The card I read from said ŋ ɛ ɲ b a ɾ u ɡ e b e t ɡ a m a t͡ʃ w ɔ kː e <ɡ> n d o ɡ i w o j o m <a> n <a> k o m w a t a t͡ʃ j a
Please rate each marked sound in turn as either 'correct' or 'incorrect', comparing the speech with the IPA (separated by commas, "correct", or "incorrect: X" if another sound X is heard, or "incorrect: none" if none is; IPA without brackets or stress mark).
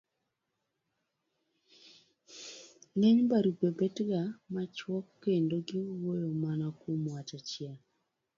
incorrect: none, correct, correct